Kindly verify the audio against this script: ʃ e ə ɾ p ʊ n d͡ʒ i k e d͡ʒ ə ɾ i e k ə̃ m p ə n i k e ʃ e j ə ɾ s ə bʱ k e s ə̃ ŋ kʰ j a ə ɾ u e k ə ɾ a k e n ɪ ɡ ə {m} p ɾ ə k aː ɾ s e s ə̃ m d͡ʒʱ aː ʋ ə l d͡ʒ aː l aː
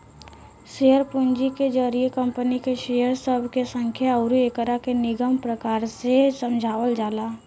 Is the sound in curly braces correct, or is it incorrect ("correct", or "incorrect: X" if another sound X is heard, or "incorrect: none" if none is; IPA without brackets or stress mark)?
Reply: correct